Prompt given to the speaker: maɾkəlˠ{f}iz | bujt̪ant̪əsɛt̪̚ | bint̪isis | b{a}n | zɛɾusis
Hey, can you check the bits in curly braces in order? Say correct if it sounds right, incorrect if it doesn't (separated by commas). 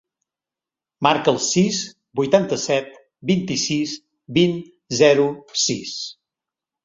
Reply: incorrect, incorrect